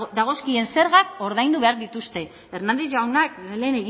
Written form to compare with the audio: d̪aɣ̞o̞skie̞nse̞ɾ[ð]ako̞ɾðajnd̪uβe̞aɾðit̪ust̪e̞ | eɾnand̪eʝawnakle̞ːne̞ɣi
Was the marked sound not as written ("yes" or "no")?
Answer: yes